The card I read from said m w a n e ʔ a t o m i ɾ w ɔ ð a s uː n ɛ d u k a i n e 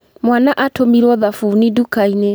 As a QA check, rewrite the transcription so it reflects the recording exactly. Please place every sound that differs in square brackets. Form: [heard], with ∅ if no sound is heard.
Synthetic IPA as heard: m w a n [a] ʔ a t o m i ɾ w ɔ ð a [f] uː n [i] d u k a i n e